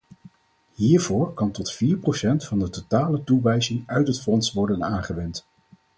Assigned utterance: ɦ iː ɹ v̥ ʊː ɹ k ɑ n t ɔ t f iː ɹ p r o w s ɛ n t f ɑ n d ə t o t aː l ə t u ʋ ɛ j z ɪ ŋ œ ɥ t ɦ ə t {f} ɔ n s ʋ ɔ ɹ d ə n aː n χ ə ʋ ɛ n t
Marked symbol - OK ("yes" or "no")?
yes